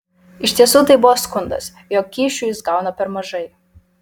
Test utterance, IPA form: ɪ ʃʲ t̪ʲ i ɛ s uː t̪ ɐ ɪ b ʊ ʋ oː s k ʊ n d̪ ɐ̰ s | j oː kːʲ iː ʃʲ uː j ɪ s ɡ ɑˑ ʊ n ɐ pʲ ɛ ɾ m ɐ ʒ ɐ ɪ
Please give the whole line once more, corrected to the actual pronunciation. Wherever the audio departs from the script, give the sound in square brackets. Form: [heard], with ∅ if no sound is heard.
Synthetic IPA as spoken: ɪ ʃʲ t̪ʲ i ɛ s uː t̪ ɐ ɪ b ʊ ʋ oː s k ʊ n d̪ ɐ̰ s | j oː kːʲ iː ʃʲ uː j ɪ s ɡ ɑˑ ʊ n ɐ pʲ ɛ ɾ m ɐ ʒ ɐ ɪ